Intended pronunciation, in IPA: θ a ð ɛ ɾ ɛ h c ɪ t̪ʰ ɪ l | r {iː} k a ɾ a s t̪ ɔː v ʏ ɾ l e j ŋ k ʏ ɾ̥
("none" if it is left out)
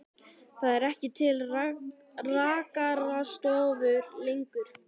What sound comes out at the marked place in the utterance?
aː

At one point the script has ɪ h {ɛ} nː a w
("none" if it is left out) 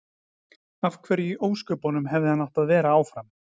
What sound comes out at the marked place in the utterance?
a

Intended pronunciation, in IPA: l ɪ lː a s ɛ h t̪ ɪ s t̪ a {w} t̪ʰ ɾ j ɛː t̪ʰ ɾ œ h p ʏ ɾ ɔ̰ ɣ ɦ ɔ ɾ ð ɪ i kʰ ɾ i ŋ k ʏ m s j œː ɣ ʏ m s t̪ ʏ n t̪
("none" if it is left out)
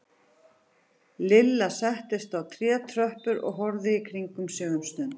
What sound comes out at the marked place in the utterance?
w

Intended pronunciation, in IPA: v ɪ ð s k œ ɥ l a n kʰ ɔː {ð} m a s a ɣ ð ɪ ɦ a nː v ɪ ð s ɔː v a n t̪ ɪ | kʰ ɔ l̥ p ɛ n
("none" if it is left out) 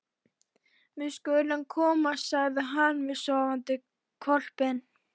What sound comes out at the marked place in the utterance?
none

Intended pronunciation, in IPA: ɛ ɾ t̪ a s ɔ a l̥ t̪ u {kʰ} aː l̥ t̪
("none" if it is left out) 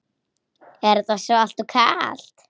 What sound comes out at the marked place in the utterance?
kʰ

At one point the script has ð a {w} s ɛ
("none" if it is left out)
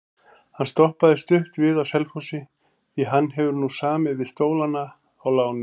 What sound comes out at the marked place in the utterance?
w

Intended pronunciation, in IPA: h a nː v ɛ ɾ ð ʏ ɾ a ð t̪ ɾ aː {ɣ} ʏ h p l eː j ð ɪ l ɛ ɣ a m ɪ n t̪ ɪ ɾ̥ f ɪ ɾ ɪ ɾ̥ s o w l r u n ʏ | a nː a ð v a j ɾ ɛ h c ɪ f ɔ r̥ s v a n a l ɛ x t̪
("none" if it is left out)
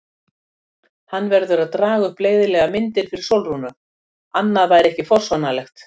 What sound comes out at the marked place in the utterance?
ɣ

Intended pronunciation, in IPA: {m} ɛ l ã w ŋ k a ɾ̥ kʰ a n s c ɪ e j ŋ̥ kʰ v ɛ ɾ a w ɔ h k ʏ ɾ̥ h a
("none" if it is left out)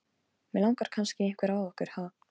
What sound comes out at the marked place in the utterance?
m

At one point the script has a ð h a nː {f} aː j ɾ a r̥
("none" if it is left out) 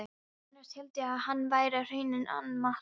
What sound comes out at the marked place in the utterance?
v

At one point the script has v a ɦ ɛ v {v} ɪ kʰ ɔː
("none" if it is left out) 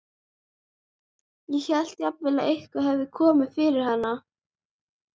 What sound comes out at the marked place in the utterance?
ð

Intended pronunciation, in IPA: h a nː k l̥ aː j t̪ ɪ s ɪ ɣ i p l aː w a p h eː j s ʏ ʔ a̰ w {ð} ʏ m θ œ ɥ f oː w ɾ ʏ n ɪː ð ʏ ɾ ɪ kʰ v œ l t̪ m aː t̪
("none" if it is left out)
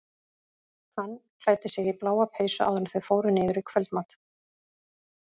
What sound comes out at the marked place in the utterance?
ð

